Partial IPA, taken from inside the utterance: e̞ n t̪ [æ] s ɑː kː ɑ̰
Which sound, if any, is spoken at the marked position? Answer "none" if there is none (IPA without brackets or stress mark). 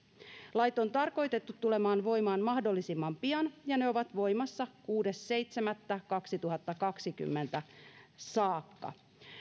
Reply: æ